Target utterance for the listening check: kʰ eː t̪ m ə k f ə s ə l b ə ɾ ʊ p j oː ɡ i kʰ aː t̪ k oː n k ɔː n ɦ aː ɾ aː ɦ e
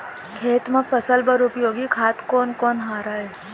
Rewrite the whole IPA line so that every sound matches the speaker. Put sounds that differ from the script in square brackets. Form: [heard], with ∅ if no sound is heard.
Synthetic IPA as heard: kʰ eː t̪ m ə k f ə s ə l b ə ɾ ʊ p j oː ɡ i kʰ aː t̪ k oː n k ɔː n ɦ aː ɾ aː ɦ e